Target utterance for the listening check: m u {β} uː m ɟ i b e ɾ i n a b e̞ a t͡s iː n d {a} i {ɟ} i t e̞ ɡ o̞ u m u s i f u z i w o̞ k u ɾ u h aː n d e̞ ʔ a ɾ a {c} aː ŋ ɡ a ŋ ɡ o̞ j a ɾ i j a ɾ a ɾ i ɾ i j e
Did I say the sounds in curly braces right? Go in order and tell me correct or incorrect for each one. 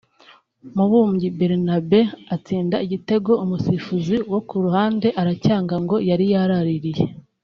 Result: correct, correct, correct, correct

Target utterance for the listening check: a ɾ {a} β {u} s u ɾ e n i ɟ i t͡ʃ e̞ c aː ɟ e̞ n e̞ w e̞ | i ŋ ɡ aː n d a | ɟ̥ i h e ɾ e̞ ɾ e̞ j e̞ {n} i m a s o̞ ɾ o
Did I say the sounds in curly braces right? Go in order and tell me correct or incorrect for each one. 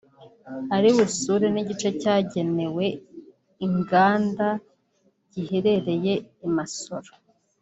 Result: incorrect: i, correct, incorrect: none

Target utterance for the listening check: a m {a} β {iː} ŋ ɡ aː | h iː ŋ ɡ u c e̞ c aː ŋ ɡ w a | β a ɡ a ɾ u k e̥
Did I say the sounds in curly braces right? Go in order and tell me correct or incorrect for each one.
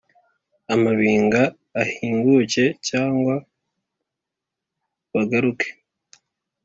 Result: correct, correct

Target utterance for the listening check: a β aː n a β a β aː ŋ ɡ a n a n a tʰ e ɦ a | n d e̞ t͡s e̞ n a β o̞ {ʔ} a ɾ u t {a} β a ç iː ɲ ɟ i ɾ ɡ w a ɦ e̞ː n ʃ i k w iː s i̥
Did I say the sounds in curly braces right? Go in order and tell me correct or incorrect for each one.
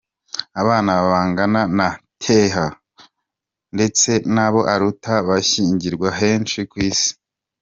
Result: correct, correct

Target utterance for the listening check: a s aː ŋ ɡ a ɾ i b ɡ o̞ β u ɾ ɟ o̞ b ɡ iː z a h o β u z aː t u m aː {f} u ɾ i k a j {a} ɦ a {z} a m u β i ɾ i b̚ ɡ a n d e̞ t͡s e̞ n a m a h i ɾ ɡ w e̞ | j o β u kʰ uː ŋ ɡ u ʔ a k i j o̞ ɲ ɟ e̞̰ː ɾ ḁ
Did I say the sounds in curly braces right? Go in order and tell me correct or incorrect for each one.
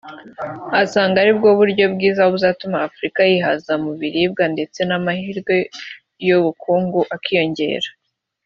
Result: correct, incorrect: i, correct

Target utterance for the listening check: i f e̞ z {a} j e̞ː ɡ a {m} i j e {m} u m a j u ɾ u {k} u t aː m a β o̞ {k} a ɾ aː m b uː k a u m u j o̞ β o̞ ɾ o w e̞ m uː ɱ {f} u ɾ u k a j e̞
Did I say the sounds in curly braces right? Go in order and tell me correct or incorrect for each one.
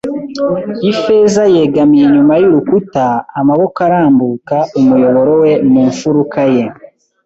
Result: correct, correct, incorrect: ɲ, correct, correct, correct

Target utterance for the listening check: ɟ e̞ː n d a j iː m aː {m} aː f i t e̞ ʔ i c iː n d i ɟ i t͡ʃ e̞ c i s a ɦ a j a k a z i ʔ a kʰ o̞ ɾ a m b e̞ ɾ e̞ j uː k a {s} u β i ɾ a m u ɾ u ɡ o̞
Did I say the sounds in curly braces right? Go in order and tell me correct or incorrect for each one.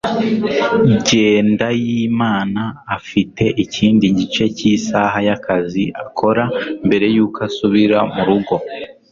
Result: incorrect: n, correct

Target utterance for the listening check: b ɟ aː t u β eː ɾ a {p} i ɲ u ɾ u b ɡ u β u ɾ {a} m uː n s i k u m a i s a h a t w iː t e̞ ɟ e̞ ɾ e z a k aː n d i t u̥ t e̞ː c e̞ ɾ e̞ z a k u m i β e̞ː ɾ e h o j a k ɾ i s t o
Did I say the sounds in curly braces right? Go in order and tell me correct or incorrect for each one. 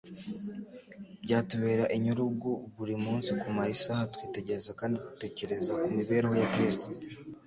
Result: incorrect: ʔ, incorrect: i

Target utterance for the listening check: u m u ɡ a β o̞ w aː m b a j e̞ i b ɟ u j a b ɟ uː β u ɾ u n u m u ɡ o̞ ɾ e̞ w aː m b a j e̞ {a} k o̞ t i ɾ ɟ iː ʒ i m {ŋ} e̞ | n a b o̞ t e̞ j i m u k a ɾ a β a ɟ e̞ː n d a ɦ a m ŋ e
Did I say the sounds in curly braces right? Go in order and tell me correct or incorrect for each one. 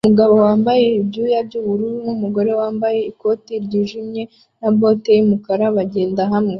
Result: incorrect: i, incorrect: ɲ

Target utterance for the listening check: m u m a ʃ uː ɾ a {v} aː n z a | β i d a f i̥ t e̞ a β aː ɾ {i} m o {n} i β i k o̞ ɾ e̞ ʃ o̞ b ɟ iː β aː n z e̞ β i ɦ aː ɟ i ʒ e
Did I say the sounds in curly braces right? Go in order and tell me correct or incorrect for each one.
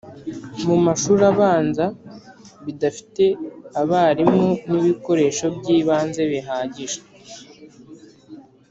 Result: incorrect: β, correct, correct

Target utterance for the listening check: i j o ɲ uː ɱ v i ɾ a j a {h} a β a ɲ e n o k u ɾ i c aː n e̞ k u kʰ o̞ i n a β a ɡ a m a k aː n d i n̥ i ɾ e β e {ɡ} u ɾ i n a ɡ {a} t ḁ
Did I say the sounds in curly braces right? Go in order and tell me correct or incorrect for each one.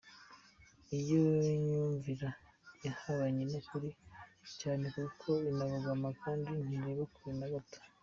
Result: correct, incorrect: k, correct

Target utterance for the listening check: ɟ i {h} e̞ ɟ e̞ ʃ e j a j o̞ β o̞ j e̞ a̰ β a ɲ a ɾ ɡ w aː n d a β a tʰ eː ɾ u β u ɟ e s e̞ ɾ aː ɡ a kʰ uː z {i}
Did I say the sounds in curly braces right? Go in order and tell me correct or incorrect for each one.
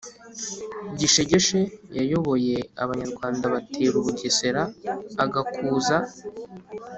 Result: incorrect: ʃ, incorrect: a

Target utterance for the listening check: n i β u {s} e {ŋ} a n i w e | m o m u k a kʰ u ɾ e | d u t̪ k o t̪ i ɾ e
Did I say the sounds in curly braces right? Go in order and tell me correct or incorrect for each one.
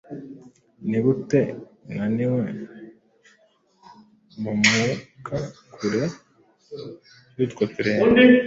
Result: incorrect: t, correct

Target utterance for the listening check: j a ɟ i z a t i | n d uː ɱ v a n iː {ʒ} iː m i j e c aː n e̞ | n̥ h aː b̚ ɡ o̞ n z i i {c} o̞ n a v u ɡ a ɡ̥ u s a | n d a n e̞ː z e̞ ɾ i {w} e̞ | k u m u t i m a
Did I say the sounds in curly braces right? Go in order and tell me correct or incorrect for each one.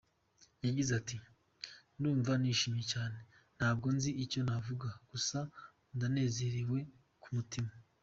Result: incorrect: ʃ, correct, correct

